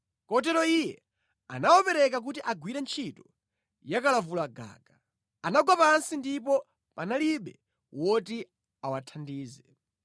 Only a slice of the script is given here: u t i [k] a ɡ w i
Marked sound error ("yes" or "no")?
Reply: yes